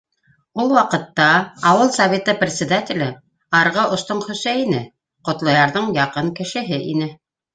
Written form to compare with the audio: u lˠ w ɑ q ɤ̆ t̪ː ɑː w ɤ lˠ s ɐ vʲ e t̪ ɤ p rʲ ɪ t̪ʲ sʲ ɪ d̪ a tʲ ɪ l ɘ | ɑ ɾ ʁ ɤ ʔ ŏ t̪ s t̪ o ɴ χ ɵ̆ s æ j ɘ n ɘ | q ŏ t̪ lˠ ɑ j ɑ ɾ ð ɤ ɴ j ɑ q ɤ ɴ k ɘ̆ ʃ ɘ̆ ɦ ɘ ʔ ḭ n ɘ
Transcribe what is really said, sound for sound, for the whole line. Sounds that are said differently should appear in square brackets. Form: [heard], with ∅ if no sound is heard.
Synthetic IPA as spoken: u lˠ w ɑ q ɤ̆ t̪ː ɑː w ɤ lˠ s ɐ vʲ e t̪ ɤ p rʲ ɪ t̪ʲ sʲ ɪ d̪ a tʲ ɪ l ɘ | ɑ ɾ ʁ ɤ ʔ ŏ [∅] s t̪ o ɴ χ ɵ̆ s æ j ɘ n ɘ | q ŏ t̪ lˠ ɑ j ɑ ɾ ð ɤ ɴ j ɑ q ɤ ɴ k ɘ̆ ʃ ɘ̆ ɦ ɘ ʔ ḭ n ɘ